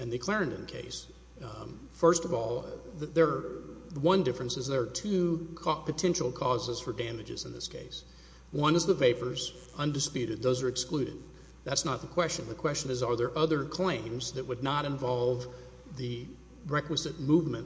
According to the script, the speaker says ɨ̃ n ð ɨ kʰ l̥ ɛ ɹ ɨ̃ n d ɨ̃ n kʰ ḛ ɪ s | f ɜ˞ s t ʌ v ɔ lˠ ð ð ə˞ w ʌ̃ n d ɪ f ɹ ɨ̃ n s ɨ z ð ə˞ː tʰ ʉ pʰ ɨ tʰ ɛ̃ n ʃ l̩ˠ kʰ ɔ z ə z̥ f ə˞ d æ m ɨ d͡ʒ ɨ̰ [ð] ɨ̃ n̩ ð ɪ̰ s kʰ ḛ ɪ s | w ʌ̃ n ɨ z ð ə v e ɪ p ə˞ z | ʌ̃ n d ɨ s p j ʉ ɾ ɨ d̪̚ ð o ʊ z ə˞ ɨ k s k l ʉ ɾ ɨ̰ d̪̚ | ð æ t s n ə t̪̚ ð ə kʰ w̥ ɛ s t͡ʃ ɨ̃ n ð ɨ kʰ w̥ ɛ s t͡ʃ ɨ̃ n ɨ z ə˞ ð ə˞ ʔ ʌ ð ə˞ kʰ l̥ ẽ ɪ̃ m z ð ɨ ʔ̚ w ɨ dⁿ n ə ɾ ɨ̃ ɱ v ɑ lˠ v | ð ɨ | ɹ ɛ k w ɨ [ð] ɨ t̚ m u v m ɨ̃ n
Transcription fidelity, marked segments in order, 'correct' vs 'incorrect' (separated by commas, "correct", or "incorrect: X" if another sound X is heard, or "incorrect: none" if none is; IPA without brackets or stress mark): incorrect: z, incorrect: z